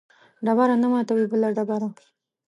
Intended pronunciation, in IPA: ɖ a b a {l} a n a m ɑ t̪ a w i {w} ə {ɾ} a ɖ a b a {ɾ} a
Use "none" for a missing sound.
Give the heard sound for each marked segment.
ɾ, b, l, ɾ

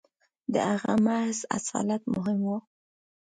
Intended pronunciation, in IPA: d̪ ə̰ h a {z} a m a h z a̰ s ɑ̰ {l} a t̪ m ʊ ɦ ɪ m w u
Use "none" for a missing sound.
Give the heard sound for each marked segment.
ɣ, l

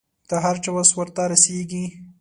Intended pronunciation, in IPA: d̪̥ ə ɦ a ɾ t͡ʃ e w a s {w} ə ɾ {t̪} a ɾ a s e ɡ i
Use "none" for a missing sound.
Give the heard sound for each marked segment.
w, t̪

